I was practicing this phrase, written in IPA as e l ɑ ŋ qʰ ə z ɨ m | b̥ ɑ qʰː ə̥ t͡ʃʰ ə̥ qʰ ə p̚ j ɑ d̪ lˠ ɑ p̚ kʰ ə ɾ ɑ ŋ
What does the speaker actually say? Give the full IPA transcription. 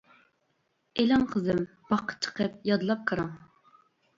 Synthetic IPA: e l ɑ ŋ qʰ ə z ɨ m | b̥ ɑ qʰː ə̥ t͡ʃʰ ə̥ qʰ ə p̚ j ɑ d̪ lˠ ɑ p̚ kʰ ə ɾ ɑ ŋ